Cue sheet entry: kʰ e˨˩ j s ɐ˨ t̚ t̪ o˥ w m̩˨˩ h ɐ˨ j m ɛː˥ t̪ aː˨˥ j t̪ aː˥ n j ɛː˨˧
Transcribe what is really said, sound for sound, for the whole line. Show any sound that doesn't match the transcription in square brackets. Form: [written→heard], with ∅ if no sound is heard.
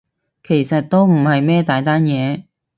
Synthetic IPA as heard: kʰ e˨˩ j s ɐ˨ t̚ t̪ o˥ w m̩˨˩ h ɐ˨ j m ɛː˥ t̪ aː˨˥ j t̪ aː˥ n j ɛː˨˧